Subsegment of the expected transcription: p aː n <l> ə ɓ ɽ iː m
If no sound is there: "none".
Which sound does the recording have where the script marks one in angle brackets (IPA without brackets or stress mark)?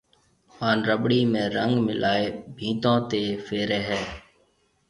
ɾ